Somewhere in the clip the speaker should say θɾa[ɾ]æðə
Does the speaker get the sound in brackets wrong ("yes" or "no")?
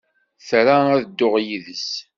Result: yes